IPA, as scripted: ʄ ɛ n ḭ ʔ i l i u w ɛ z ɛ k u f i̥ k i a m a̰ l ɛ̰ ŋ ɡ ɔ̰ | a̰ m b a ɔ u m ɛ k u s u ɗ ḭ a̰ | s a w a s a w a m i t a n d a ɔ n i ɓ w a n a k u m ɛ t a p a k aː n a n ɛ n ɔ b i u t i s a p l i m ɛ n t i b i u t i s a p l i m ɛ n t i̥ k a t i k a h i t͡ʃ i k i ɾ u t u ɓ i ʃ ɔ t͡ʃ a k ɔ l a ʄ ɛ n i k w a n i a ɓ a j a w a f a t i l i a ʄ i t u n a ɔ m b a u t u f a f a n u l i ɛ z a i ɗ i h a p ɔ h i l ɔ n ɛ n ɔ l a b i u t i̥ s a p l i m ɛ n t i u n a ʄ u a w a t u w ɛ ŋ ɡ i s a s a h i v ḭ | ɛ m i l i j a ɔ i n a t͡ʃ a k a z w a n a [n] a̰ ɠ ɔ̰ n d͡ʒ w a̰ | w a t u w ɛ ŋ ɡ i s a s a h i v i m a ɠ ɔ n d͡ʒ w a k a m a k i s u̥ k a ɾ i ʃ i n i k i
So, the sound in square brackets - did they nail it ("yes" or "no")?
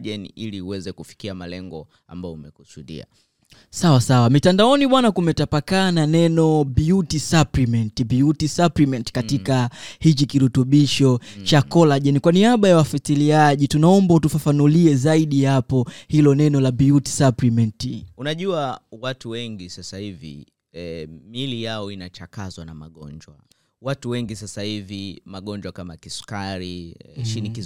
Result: no